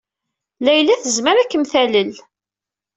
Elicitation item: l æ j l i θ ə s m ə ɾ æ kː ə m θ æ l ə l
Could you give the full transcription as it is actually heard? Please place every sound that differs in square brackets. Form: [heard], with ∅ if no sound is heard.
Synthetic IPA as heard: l æ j l [æ] θ ə [z] m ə ɾ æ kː ə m θ æ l ə l